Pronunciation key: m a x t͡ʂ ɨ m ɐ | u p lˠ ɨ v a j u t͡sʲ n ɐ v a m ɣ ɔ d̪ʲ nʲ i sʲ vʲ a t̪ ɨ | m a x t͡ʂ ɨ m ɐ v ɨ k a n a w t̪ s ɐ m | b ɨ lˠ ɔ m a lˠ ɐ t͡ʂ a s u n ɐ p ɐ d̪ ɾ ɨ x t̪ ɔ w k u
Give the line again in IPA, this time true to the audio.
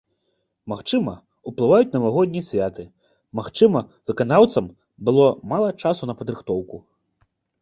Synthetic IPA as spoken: m a x t͡ʂ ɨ m ɐ | u p lˠ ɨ v a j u t͡sʲ n ɐ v a ɣ ɔ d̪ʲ nʲ i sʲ vʲ a t̪ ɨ | m a x t͡ʂ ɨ m ɐ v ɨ k a n a w t̪ s ɐ m | b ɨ lˠ ɔ m a lˠ ɐ t͡ʂ a s u n ɐ p ɐ d̪ ɾ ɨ x t̪ ɔ w k u

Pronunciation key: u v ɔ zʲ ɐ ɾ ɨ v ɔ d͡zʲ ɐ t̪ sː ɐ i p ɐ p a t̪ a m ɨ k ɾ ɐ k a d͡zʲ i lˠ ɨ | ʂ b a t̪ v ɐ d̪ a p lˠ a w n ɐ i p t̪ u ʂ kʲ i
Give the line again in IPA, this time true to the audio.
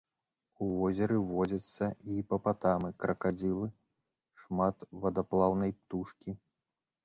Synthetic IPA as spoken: u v ɔ zʲ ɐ ɾ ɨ v ɔ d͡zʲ ɐ t̪ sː ɐ i p ɐ p a t̪ a m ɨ k ɾ ɐ k a d͡zʲ i lˠ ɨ | ʂ m a t̪ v ɐ d̪ a p lˠ a w n ɐ j p t̪ u ʂ kʲ i

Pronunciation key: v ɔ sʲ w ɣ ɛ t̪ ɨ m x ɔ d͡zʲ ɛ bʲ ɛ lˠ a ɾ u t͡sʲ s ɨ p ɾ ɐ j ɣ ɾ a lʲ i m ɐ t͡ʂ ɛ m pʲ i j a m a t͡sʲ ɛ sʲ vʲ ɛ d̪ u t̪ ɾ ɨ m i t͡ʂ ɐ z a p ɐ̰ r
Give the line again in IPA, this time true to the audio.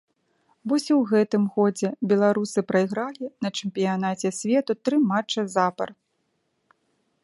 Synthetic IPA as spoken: v ɔ sʲ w ɣ ɛ t̪ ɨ m ɣ ɔ d͡zʲ ɛ bʲ ɛ lˠ a ɾ u s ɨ p ɾ ɐ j ɣ ɾ a lʲ i n ɐ t͡ʂ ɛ m pʲ i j a n a t͡sʲ ɛ sʲ vʲ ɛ t̪ u t̪ ɾ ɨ m a t͡ʂ ɐ z a p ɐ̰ r

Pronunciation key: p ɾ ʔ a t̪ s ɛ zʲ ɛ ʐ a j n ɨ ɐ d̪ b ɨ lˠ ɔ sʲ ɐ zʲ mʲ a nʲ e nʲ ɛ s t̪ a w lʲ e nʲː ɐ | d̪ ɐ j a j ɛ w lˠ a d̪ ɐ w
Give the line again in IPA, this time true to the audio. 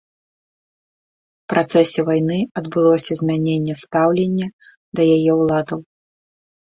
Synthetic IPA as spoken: p ɾ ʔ a t̪ s ɛ sʲ ɛ v a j n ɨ ɐ d̪ b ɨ lˠ ɔ sʲ ɐ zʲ mʲ a nʲ e nʲː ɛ s t̪ a w lʲ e nʲː ɐ | d̪ ɐ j a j ɛ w lˠ a d̪ ɐ w

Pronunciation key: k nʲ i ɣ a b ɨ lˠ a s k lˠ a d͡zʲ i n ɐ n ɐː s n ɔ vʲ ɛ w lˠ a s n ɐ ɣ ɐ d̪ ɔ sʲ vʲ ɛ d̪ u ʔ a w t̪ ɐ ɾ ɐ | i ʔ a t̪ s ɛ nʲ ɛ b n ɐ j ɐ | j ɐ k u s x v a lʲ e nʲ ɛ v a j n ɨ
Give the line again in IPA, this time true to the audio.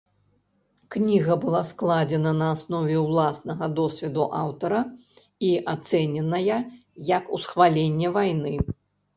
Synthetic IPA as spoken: k nʲ i ɣ ɐ b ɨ lˠ a s k lˠ a d͡zʲ ɛ n ɐ n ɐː s n ɔ vʲ ɛ w lˠ a s n ɐ ɣ ɐ d̪ ɔ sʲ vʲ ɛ d̪ u ʔ a w t̪ ɐ ɾ ɐ | i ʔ a t̪ s ɛ nʲ ɛ n ɐ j ɐ | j ɐ k u s x v a lʲ e nʲː ɛ v a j n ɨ

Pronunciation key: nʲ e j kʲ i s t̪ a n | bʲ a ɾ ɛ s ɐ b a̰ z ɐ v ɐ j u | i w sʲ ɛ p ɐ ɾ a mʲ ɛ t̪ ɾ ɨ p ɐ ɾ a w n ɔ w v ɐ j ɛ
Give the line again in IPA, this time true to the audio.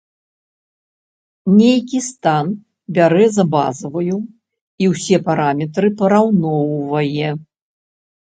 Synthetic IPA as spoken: nʲ e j kʲ i s t̪ a n | bʲ a ɾ ɛ z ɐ b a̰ z ɐ v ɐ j u | i w sʲ ɛ p a ɾ a mʲ ɛ t̪ ɾ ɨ p ɐ ɾ a w n ɔ w v ɐ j ɛ

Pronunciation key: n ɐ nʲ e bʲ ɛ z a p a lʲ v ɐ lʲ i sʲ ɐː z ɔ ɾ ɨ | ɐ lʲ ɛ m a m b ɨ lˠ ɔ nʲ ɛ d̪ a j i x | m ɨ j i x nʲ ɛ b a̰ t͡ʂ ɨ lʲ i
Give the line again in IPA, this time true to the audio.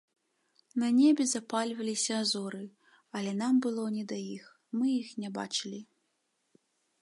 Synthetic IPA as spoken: n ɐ nʲ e bʲ ɛ z a p a lʲ v ɐ lʲ i sʲ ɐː z ɔ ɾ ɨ | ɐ lʲ ɛ n a m b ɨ lˠ ɔ nʲ ɛ d̪ a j i x | m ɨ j i x nʲ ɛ b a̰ t͡ʂ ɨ lʲ i

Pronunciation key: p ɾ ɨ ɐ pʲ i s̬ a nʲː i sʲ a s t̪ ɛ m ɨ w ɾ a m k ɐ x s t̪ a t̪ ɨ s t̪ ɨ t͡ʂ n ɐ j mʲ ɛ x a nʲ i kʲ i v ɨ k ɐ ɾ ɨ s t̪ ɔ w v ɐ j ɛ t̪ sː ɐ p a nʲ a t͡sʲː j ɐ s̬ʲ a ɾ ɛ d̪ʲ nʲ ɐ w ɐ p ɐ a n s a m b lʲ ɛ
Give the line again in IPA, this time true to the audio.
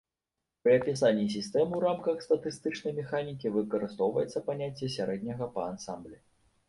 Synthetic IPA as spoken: p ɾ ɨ ɐ pʲ i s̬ a nʲː i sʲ i s t̪ ɛ m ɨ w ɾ a m k ɐ x s t̪ ɐ t̪ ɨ s t̪ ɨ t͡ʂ n ɐ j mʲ ɛ x a nʲ i kʲ i v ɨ k ɐ ɾ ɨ s t̪ ɔ w v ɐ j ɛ t̪ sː ɐ p a nʲ a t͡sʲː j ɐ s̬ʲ a ɾ ɛ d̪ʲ nʲ ɐ ɣ ɐ p ɐ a n s a m b lʲ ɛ

